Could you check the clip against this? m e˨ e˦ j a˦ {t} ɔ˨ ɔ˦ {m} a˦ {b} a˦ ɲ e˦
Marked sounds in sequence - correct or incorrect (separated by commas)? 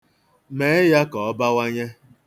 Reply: incorrect, incorrect, incorrect